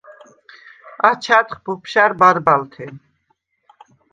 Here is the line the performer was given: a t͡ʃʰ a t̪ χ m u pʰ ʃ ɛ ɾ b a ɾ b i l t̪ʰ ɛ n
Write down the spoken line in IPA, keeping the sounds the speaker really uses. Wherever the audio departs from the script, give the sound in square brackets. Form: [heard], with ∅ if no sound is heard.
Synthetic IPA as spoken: a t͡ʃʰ a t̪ χ [b] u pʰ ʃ [a] ɾ b a ɾ b [a] l t̪ʰ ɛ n